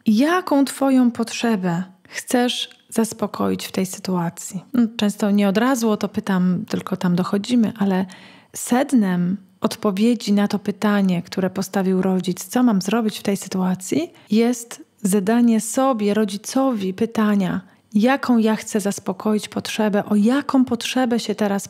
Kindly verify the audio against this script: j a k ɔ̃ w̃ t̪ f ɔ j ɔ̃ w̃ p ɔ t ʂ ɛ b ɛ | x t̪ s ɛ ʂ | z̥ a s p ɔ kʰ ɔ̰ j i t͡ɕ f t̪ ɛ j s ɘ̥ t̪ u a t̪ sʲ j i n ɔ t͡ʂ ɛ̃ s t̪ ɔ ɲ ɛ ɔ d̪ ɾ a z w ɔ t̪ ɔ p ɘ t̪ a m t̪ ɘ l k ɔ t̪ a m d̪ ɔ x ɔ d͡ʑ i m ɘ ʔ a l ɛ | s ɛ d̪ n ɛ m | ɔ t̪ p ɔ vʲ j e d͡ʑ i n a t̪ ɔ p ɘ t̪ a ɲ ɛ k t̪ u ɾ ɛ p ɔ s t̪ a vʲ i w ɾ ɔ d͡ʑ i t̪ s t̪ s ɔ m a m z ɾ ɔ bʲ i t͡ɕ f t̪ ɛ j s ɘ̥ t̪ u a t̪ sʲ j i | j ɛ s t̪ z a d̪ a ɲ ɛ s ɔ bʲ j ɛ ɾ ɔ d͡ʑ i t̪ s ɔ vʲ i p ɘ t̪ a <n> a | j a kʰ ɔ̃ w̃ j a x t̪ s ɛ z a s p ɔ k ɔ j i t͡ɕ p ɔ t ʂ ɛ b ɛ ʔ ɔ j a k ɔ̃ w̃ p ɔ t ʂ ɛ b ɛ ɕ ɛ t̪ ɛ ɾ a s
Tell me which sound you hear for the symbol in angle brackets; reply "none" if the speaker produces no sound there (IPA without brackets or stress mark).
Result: ɲ